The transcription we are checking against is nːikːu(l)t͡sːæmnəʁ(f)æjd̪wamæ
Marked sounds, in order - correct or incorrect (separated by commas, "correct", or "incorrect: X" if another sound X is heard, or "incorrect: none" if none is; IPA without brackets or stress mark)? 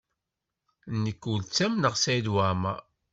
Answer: correct, incorrect: s